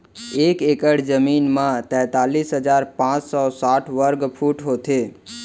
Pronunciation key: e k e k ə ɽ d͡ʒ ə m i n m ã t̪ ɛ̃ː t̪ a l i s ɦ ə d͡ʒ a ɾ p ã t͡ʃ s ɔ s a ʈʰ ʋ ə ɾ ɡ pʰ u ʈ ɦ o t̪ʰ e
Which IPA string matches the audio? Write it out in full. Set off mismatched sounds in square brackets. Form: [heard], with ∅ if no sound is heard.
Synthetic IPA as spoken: e k e k ə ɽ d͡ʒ ə m i n m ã t̪ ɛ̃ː t̪ a l i s ɦ ə d͡ʒ a ɾ p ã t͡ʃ s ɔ s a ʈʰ ʋ ə ɾ ɡ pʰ u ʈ ɦ o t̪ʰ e